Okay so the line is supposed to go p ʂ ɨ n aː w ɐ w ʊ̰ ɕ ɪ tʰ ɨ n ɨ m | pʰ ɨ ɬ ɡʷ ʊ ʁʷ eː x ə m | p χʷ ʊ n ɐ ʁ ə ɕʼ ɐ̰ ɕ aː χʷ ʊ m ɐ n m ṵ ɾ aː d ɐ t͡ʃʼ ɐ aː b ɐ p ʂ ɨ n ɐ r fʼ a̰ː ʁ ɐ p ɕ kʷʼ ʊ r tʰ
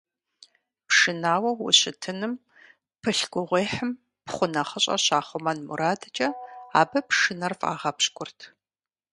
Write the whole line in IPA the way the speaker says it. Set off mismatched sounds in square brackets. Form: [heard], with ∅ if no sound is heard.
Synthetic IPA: p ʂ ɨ n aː w ɐ w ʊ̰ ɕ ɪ tʰ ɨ n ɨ m | pʰ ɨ ɬ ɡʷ ʊ ʁʷ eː [ħ] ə m | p χʷ ʊ n ɐ [χ] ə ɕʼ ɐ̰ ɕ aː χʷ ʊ m ɐ n m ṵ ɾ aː d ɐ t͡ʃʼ ɐ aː b ɐ p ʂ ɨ n ɐ r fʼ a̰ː ʁ ɐ p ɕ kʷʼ ʊ r tʰ